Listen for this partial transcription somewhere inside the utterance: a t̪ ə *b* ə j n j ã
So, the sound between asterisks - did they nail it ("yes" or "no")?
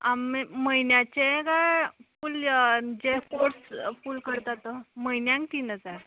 no